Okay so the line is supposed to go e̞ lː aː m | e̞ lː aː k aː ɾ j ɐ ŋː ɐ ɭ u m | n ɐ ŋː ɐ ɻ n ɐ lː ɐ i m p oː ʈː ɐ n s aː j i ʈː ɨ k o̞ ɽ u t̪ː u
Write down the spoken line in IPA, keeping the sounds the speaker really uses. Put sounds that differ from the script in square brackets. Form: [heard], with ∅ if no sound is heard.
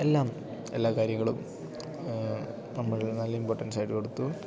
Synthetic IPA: e̞ lː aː m | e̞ lː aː k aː ɾ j ɐ ŋː ɐ ɭ u m | n ɐ [mː] ɐ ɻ n ɐ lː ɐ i m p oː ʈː ɐ n s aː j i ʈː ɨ k o̞ ɽ u t̪ː u